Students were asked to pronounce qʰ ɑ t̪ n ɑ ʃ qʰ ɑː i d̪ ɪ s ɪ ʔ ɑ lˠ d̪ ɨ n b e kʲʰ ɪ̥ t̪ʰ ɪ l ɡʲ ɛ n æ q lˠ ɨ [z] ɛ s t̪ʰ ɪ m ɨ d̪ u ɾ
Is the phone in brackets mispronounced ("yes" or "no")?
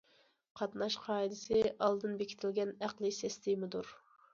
yes